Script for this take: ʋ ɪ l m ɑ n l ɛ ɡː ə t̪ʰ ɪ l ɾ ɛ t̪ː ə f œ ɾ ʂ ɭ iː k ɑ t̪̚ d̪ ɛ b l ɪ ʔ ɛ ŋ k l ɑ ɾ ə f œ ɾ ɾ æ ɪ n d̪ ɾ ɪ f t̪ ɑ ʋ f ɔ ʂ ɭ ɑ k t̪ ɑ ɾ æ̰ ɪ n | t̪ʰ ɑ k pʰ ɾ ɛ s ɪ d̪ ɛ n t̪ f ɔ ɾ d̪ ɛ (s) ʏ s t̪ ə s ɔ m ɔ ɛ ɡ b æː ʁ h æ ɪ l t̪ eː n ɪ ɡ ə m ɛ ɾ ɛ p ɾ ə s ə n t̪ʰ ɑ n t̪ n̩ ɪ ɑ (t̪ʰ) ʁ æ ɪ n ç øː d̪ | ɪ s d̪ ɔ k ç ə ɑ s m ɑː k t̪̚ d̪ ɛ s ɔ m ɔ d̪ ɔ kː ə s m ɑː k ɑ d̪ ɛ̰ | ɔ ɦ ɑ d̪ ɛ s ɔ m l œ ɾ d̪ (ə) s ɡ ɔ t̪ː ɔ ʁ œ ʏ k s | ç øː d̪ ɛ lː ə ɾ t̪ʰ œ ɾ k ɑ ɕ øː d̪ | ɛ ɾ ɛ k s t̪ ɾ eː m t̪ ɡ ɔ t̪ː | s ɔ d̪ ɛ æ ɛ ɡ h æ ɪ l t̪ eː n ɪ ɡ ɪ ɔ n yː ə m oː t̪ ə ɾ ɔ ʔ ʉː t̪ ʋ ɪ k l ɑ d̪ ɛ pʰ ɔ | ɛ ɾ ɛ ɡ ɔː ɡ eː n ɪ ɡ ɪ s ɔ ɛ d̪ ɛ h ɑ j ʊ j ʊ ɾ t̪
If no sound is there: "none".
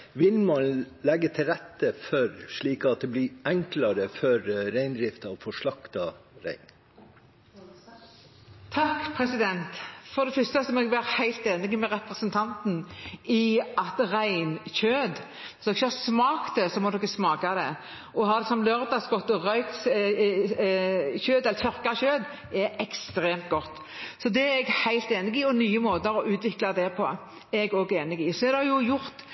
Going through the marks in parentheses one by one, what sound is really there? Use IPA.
f, t̪, ɑ

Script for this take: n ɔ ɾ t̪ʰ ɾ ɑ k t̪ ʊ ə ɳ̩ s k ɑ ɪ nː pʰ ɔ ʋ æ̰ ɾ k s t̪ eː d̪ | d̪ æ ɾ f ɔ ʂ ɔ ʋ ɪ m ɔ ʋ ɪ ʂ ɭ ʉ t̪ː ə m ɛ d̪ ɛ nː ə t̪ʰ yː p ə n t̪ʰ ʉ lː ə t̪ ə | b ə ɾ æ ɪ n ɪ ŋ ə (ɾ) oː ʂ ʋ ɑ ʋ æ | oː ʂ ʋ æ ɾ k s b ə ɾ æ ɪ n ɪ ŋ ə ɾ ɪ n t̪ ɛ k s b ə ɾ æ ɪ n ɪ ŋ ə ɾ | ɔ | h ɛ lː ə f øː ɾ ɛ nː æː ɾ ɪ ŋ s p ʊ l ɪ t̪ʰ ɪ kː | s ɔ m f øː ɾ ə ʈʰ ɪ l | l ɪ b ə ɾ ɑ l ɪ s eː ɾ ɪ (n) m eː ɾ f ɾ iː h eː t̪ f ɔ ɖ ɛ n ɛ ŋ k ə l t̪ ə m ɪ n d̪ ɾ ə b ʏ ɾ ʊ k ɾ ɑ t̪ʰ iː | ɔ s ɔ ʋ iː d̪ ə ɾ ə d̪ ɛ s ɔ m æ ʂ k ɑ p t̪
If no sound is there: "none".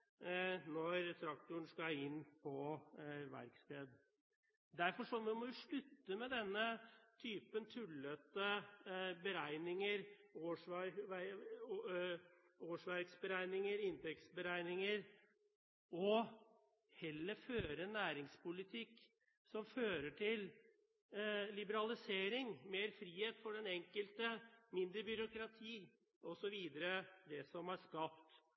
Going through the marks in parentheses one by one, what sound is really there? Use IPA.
ɾ, ŋ

